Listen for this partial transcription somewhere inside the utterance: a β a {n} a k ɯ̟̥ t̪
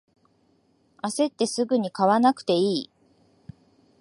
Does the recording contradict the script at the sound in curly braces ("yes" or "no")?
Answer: no